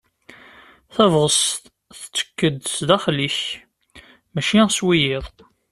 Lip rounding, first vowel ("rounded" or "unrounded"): unrounded